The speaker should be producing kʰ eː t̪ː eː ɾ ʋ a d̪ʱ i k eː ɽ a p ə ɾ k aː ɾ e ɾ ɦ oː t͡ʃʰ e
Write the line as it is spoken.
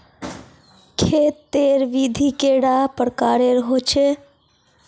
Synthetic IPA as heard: kʰ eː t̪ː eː ɾ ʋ i d̪ʱ i k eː ɽ a p ə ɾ k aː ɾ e ɾ ɦ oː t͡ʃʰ e